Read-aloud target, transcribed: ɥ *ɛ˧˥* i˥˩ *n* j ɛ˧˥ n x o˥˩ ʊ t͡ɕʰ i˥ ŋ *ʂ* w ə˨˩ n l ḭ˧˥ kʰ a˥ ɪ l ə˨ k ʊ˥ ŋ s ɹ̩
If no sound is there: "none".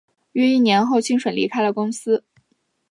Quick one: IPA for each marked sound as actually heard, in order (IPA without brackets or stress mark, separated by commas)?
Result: ɛ˥˧, n, ʂ